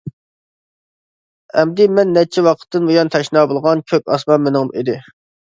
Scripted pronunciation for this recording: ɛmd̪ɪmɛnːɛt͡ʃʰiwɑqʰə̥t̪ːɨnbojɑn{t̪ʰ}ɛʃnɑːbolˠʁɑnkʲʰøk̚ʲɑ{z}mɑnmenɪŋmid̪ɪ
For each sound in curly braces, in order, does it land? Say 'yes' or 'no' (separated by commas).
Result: yes, no